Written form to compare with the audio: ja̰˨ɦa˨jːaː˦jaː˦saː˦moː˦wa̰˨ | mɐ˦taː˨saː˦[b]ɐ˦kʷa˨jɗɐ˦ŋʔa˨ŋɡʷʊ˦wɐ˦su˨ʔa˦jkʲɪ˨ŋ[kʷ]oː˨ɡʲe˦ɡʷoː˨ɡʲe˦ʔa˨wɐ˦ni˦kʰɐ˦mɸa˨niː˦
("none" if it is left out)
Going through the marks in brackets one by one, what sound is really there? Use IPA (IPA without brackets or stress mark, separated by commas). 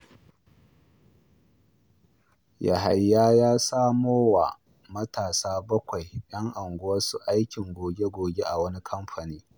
b, ɡʷ